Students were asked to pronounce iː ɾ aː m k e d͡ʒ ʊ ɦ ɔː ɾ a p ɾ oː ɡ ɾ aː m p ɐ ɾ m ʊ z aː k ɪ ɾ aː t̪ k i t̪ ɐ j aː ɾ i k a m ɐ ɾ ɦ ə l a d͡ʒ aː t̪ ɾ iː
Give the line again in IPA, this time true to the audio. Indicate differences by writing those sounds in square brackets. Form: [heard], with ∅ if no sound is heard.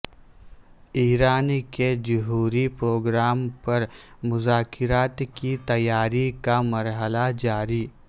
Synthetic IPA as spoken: iː ɾ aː [n] k e d͡ʒ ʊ ɦ [uː] ɾ [i] p ɾ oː ɡ ɾ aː m p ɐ ɾ m ʊ z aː k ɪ ɾ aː t̪ k i t̪ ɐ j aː ɾ i k a m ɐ ɾ ɦ ə l a d͡ʒ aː [∅] ɾ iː